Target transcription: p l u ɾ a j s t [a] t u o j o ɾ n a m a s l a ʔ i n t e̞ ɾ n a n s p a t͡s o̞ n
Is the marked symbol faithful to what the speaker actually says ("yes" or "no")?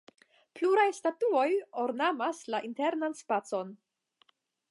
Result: yes